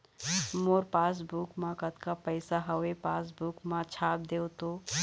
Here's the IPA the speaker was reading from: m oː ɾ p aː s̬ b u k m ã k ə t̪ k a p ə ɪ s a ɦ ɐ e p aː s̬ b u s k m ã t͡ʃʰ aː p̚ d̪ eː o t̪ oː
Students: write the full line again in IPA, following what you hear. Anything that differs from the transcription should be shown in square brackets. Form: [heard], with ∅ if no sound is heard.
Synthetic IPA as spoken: m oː ɾ p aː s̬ b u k m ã k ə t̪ k a p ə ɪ s a ɦ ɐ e p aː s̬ b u [∅] k m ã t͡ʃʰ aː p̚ d̪ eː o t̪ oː